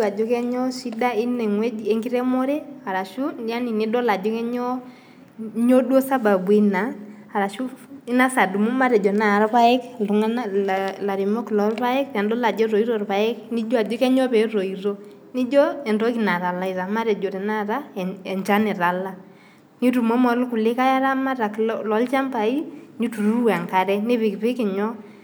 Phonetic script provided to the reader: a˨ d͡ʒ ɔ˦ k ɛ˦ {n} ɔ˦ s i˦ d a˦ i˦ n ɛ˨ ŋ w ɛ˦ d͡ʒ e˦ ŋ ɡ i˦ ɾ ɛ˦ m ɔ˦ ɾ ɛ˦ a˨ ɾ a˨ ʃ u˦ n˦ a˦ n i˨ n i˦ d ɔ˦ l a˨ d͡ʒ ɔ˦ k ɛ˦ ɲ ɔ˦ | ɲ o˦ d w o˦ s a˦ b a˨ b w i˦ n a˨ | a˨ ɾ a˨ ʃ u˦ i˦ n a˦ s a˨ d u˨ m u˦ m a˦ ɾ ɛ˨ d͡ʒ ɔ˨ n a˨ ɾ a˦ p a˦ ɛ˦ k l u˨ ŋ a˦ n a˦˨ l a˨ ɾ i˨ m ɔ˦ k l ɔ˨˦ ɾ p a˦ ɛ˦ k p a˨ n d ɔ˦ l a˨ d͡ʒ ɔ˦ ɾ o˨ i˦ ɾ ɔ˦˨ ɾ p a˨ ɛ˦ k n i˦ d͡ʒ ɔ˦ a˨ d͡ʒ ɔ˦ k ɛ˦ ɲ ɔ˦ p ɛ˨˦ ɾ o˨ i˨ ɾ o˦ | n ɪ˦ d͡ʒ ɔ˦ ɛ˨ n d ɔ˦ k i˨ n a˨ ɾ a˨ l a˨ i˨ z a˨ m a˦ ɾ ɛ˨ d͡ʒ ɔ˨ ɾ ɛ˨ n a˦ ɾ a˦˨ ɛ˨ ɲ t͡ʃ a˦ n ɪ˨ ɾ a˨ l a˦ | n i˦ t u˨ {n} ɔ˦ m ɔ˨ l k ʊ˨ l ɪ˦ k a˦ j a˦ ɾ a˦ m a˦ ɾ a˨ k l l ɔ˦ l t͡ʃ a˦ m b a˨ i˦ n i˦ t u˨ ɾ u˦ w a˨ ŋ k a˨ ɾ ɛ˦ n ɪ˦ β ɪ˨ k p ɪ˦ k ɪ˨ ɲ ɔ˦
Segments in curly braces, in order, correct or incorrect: incorrect: ɲ, incorrect: m

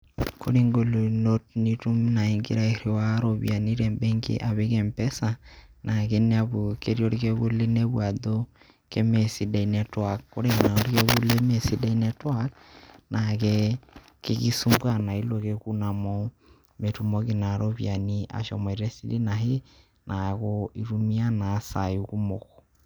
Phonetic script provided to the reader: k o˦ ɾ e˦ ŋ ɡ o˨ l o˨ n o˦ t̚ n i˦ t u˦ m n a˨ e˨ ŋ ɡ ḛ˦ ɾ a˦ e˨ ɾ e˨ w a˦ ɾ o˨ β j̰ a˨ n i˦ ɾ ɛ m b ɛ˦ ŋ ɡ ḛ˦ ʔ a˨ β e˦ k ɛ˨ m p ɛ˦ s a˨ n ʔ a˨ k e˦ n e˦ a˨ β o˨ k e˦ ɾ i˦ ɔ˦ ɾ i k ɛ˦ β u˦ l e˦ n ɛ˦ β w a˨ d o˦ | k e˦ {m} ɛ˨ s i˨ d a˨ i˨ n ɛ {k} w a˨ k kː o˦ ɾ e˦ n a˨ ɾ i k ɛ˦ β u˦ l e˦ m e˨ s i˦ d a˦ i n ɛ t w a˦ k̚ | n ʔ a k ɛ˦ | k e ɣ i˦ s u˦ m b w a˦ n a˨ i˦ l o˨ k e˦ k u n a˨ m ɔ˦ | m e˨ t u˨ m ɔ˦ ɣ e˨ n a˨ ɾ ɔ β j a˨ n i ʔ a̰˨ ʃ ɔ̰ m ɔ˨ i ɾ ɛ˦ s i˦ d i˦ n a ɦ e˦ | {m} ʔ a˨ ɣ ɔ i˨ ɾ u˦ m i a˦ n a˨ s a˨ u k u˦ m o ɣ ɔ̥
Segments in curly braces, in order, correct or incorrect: correct, incorrect: t, incorrect: n

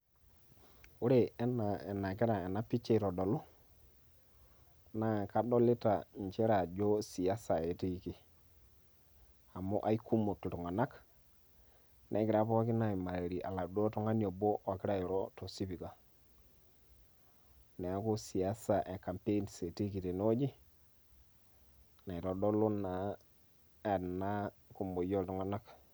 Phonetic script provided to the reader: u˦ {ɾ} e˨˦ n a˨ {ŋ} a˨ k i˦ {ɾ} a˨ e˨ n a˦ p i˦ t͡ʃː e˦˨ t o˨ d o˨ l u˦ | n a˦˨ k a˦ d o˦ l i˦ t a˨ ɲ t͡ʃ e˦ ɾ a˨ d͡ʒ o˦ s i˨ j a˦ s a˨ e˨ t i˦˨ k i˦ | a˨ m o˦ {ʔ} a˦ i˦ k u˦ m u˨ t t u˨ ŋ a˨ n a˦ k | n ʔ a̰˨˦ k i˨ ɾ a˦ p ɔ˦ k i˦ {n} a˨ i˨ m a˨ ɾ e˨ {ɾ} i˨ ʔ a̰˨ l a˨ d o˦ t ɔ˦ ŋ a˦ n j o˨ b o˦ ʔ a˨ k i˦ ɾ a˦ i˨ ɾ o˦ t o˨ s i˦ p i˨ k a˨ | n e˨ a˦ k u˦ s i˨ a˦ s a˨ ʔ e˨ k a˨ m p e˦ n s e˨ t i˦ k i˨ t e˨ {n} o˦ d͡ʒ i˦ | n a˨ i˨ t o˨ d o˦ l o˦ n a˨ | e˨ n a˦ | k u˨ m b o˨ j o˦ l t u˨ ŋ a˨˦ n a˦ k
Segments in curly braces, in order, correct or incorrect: correct, incorrect: n, correct, correct, correct, correct, correct

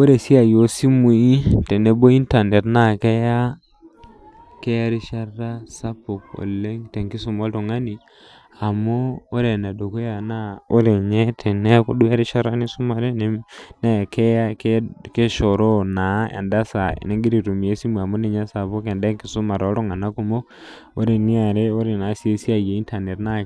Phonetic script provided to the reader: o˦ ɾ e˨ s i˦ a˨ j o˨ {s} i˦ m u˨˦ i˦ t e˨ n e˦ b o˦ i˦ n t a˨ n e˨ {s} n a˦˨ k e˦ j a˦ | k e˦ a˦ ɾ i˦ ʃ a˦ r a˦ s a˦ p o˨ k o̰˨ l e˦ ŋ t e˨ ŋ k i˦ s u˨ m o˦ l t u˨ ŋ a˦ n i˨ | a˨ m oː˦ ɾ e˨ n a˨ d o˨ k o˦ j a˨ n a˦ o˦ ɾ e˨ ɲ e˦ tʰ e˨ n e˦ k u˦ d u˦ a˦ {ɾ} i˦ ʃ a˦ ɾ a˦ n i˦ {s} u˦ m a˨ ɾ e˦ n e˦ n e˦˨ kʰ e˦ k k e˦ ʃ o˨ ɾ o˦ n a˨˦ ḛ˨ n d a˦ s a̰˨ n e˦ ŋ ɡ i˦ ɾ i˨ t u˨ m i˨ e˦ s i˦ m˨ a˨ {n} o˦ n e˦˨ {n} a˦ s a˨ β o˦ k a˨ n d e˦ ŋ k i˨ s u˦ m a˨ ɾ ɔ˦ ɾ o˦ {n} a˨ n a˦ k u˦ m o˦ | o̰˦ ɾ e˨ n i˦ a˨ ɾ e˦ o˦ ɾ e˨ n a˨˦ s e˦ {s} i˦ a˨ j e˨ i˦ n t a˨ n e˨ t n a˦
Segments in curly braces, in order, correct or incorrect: correct, incorrect: t, correct, correct, incorrect: m, incorrect: ɲ, incorrect: ŋ, correct

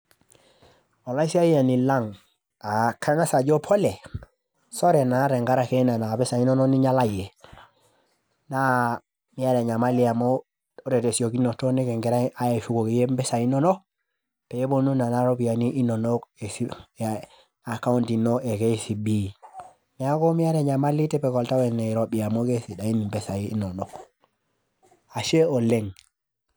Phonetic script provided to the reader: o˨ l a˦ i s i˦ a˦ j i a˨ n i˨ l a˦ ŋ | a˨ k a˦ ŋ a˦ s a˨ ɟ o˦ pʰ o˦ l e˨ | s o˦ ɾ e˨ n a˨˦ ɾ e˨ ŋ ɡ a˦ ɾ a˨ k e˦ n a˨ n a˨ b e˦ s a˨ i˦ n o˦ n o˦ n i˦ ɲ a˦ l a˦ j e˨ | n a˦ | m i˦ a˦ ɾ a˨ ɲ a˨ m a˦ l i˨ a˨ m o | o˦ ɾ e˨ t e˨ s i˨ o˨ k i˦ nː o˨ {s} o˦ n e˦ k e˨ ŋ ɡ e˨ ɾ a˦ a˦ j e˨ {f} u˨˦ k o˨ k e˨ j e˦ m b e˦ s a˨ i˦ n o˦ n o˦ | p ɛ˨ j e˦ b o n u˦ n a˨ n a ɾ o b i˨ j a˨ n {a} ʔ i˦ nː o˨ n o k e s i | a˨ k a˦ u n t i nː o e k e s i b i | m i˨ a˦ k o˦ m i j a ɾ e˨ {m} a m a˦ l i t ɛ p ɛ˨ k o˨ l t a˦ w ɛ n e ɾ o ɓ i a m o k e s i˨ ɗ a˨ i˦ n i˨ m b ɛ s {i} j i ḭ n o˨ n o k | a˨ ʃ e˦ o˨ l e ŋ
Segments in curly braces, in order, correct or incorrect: incorrect: t, correct, incorrect: i, incorrect: ɲ, incorrect: a

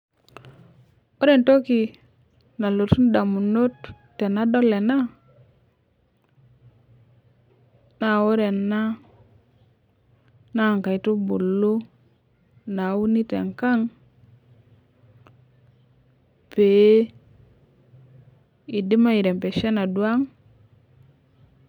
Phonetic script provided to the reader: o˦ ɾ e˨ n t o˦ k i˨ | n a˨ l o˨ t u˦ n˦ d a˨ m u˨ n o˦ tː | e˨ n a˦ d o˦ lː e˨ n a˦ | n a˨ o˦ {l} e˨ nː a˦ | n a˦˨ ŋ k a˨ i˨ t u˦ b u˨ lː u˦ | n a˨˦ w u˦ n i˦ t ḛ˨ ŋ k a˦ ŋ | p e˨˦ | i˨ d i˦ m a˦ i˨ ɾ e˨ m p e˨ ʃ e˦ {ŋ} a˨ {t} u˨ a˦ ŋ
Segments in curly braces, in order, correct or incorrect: incorrect: ɾ, incorrect: n, incorrect: d

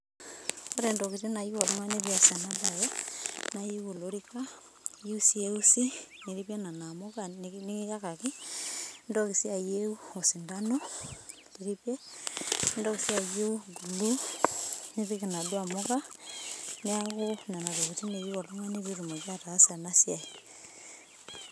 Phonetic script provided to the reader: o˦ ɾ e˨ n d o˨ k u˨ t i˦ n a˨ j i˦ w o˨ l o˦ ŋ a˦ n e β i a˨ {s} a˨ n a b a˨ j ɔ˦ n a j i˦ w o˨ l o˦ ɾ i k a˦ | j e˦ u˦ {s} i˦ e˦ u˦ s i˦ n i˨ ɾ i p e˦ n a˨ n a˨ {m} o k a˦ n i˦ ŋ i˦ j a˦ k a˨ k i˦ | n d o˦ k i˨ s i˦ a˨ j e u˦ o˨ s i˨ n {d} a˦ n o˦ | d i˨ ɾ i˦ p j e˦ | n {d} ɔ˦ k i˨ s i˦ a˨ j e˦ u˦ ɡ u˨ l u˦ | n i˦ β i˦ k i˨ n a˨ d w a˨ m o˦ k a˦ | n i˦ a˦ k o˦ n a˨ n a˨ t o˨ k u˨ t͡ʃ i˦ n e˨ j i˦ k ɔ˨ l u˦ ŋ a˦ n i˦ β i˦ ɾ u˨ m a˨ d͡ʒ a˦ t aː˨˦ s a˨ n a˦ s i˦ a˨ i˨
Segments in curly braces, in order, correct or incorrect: correct, correct, correct, correct, correct

